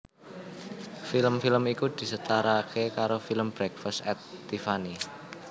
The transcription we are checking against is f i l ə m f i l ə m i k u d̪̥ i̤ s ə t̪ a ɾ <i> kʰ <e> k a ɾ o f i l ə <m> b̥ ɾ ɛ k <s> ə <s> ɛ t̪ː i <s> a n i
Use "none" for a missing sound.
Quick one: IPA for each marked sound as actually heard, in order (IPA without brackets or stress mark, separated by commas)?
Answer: a, e, m, f, s, f